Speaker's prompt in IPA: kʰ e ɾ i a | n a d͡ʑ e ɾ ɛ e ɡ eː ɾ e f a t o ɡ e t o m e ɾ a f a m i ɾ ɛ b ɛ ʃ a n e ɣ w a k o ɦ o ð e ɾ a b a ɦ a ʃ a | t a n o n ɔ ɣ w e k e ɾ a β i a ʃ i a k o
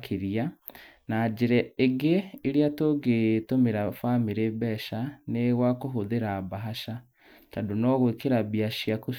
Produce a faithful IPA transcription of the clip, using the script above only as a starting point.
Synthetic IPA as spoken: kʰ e ɾ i a | n a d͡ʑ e ɾ ɛ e ɡ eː ɾ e a t o ɡ e t o m e ɾ a f a m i ɾ e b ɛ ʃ a n e ɣ w a k o ɦ o ð e ɾ a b a ɦ a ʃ a | t a d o n ɔ ɣ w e k e ɾ a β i a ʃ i a k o